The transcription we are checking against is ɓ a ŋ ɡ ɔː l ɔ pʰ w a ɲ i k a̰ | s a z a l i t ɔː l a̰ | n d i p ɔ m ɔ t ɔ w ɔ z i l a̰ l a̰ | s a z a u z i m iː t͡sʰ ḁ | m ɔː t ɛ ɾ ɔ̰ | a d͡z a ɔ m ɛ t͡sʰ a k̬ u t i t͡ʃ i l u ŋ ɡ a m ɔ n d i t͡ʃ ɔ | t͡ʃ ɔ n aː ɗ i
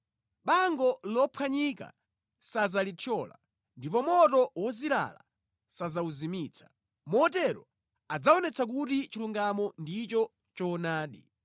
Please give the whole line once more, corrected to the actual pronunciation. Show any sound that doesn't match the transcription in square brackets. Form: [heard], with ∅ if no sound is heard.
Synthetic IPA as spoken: ɓ a ŋ ɡ [ɔ] l ɔ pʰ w a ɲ i k a̰ | s a z a l i [tʰ] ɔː l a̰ | n d i p ɔ m ɔ t ɔ w ɔ z i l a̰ l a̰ | s a z a u z i m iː t͡sʰ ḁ | m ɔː t ɛ ɾ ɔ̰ | a d͡z a ɔ [n] ɛ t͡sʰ a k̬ u t i t͡ʃ i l u ŋ ɡ a m ɔ n d i t͡ʃ ɔ | t͡ʃ ɔ n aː ɗ i